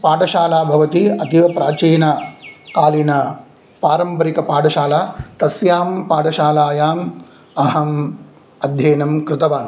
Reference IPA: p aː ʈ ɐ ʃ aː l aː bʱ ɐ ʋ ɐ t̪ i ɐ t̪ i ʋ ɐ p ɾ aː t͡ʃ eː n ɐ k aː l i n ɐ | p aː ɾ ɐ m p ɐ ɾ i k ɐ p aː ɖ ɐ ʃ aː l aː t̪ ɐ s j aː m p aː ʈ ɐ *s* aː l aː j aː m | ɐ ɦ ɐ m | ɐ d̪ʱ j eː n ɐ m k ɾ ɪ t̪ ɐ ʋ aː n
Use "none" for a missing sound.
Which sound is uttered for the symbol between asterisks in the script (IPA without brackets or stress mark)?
ʃ